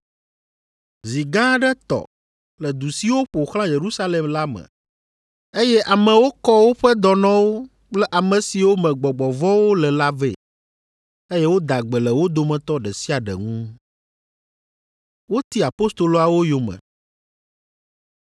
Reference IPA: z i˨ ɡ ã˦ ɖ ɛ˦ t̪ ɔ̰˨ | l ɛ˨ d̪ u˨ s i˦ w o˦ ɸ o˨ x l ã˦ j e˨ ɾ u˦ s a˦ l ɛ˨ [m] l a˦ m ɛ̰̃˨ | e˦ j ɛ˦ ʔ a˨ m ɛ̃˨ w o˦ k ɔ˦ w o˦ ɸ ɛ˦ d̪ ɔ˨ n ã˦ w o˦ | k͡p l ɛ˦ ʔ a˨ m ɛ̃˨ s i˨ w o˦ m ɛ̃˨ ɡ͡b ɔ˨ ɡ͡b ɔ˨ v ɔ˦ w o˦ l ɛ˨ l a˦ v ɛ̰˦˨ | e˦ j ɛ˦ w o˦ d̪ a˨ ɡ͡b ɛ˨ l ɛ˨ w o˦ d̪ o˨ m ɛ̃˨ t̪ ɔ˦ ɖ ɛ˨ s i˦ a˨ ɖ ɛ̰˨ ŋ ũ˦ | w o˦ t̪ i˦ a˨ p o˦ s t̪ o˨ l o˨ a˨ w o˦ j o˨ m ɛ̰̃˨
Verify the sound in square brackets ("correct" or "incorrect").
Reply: correct